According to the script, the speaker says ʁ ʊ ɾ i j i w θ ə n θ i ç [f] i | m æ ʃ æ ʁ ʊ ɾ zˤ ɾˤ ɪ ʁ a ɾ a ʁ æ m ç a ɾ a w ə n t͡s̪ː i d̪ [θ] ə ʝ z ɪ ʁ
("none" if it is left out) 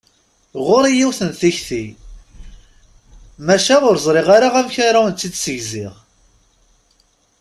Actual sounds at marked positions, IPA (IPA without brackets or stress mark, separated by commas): θ, s